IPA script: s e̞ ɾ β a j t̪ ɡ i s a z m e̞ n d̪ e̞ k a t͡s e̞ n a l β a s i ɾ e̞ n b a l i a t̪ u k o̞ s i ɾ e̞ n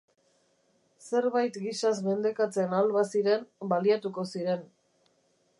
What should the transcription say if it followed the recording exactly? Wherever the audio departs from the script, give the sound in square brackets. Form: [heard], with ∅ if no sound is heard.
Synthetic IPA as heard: s e̞ ɾ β a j t̪ ɡ i s a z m e̞ n d̪ e̞ k a t͡s e̞ n a l β a s i ɾ e̞ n b a l i a t̪ u k o̞ s i ɾ e̞ n